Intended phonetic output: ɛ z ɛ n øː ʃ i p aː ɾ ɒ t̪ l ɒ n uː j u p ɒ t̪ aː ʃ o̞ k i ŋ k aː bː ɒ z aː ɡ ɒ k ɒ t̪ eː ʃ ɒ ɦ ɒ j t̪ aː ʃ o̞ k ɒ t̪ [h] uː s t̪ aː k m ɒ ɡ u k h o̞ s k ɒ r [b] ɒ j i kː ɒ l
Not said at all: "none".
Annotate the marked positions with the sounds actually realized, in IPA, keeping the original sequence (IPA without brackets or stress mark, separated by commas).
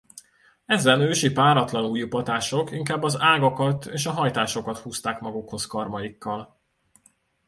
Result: h, m